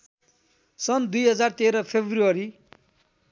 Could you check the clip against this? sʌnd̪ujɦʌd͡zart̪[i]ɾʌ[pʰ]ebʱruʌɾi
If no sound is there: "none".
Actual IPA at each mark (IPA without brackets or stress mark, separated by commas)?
e, pʰ